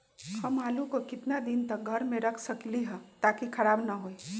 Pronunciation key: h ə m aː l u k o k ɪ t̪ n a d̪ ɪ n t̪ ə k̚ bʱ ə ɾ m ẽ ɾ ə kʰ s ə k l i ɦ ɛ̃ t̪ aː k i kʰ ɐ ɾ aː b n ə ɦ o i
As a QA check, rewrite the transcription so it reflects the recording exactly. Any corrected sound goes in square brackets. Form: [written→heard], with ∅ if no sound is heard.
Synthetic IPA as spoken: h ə m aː l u k o k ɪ t̪ n a d̪ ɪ n t̪ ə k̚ [bʱ→ɡʱ] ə ɾ m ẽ ɾ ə kʰ s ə k l i ɦ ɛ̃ t̪ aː k i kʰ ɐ ɾ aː b n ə ɦ o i

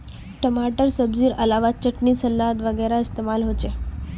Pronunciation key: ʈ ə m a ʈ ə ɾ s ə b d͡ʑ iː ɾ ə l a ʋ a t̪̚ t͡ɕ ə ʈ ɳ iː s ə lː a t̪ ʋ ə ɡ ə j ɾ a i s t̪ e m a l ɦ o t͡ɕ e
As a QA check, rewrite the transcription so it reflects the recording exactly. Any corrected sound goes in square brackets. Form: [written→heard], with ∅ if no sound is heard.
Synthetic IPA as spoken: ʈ ə m a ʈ ə ɾ s ə b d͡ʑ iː ɾ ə l a ʋ a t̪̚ t͡ɕ ə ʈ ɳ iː s ə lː a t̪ ʋ ə ɡ ə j ɾ a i s t̪ e m a l ɦ o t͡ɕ e

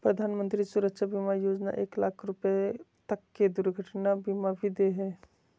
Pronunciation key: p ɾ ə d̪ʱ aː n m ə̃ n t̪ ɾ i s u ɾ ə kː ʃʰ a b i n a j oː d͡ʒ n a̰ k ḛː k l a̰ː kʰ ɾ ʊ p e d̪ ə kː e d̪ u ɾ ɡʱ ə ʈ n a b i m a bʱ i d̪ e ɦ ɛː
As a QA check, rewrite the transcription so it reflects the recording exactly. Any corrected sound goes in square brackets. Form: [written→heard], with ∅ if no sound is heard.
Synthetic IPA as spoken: p ɾ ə d̪ʱ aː n m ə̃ n t̪ ɾ i s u ɾ ə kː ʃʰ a b i [n→m] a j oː d͡ʒ n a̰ [k→ʔ] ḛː k l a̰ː kʰ ɾ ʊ p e [d̪→t̪] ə kː e d̪ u ɾ ɡʱ ə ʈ n a b i m a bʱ i d̪ e ɦ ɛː

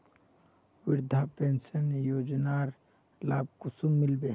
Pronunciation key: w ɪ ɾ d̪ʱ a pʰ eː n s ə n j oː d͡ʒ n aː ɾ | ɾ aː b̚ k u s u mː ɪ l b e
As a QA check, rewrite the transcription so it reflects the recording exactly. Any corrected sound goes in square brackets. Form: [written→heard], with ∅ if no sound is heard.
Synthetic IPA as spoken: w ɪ ɾ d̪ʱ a [pʰ→p] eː n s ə n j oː d͡ʒ n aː ɾ | [ɾ→l] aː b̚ k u s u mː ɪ l b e

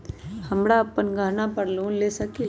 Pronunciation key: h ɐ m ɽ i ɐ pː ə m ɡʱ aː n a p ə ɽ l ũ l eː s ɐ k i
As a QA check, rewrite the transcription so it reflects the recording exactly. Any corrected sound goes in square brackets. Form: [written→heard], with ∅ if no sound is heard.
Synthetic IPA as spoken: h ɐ m ɽ [i→a] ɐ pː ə [m→n] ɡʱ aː n a p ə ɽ l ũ l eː s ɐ k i

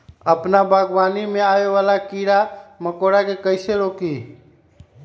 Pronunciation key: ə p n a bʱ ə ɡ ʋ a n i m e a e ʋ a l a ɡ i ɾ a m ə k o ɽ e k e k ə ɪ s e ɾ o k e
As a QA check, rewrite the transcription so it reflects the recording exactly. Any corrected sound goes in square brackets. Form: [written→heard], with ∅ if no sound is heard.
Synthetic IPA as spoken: ə p n a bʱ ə ɡ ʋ a n i m e a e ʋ a l a [ɡ→k] i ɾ a m ə k o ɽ [e→a] k e k ə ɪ s e ɾ o k [e→i]

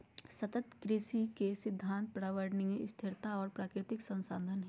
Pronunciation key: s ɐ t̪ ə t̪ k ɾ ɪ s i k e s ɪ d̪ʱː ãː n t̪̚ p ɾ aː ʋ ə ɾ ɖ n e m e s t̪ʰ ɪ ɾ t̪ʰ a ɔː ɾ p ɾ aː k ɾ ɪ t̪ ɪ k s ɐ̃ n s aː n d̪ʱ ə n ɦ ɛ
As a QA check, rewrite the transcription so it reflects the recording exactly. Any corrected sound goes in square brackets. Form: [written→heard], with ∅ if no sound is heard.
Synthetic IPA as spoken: s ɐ t̪ ə t̪ k ɾ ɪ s i k e s ɪ d̪ʱː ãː n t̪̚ p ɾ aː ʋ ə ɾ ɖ n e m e s t̪ʰ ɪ ɾ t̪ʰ a ɔː ɾ p ɾ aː k ɾ ɪ t̪ ɪ k s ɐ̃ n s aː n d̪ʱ ə n ɦ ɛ

